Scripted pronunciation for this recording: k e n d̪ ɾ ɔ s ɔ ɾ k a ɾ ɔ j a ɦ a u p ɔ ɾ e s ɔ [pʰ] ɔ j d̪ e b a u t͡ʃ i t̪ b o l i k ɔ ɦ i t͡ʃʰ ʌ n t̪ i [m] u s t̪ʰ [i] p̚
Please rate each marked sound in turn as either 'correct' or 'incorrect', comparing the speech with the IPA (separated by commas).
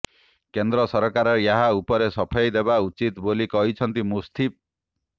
correct, correct, correct